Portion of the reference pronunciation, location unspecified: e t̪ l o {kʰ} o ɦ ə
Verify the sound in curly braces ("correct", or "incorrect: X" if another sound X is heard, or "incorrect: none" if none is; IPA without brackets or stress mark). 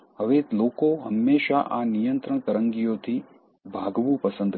incorrect: k